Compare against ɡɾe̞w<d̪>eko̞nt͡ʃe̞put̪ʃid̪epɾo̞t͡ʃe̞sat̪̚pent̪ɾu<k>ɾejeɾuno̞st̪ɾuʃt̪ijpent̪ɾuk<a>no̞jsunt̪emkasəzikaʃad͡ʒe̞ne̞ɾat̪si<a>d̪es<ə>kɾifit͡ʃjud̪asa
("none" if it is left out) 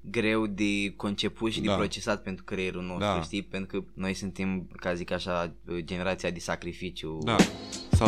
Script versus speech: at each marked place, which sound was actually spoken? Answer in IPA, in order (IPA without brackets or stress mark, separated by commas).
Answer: d̪, k, ə, a, a